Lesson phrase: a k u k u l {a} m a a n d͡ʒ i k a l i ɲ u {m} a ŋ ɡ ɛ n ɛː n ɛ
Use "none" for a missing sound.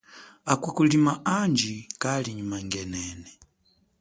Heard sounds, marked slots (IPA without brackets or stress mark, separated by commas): i, m